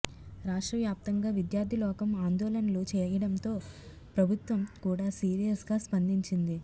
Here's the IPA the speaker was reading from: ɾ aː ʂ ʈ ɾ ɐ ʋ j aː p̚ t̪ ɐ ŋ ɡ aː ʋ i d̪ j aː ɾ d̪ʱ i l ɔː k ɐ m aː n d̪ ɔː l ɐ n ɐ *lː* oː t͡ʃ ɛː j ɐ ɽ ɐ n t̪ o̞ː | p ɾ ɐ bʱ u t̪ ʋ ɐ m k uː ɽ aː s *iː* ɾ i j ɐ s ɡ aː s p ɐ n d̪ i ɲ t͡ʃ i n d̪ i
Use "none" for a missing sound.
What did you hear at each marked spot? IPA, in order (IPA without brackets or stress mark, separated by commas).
l, iː